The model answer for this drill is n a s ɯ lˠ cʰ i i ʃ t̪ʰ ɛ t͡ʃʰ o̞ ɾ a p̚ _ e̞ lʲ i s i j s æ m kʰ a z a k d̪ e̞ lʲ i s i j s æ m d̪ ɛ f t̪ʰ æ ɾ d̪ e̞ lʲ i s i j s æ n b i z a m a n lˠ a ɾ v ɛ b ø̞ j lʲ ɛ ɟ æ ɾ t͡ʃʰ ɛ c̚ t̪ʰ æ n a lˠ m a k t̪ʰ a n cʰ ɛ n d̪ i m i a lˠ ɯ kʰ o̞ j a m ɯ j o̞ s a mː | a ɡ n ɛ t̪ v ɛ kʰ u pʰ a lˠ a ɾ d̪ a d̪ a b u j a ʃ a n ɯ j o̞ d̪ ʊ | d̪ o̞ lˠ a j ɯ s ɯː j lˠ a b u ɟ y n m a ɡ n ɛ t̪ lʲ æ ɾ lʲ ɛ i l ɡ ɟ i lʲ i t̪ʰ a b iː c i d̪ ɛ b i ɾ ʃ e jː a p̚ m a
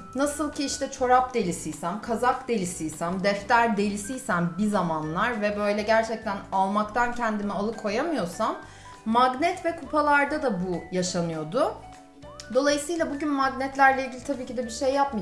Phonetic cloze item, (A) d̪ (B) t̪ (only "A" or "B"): A